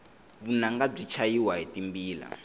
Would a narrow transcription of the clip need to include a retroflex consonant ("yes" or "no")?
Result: yes